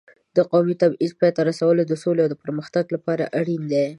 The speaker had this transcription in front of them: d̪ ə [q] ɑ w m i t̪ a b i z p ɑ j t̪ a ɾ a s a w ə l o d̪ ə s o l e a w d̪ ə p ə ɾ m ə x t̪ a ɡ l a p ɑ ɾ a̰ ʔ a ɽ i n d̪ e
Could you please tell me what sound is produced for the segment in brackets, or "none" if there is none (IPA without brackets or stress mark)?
q